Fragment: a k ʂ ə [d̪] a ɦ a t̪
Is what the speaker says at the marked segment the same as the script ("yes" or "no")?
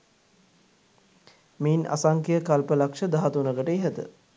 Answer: yes